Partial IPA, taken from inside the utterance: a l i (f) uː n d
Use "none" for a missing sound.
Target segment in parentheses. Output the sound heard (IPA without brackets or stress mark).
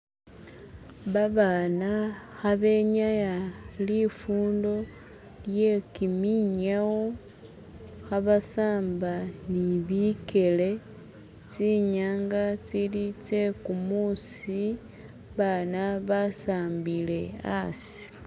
f